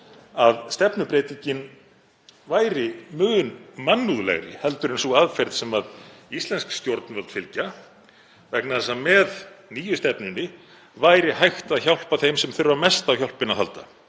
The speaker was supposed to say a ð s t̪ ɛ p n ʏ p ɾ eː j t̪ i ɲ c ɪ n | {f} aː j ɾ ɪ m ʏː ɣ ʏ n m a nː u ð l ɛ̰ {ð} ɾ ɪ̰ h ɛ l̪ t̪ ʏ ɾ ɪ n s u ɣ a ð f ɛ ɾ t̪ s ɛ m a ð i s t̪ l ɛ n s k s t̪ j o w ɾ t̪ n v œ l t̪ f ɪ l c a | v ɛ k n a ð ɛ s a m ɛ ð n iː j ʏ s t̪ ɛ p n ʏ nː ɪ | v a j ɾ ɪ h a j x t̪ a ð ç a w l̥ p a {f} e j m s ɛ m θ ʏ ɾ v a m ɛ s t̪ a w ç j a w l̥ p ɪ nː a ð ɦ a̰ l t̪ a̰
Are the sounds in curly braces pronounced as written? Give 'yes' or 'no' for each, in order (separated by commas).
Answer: no, no, no